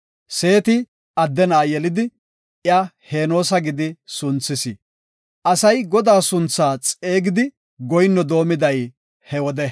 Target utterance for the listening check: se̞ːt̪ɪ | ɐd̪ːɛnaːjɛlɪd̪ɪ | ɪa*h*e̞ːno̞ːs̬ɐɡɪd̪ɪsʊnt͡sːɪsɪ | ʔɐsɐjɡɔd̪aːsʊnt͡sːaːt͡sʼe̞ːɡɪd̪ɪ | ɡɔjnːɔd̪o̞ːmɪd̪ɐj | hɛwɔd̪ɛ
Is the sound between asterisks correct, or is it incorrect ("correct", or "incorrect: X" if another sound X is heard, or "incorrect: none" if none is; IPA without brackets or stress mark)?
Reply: correct